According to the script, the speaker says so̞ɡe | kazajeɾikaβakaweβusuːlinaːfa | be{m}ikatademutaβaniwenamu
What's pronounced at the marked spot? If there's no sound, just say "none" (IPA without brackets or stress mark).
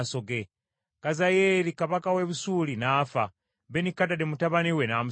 n